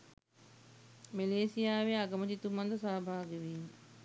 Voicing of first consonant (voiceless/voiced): voiced